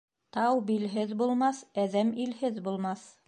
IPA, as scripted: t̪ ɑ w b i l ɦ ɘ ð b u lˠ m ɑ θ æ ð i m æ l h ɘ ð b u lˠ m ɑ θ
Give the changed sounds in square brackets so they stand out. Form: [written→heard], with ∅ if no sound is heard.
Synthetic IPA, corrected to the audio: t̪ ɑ w b i l ɦ ɘ ð b u lˠ m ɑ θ æ ð [i→æ] m [æ→i] l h ɘ ð b u lˠ m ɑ θ